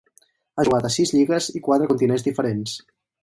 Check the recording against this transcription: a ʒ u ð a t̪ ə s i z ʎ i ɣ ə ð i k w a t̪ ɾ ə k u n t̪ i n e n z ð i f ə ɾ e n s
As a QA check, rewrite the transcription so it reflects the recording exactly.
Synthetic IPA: a ʒ u ɣ a t̪ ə s i z ʎ i ɣ ə z i k w a t̪ ɾ ə k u n t̪ i n e n z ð i f ə ɾ e n s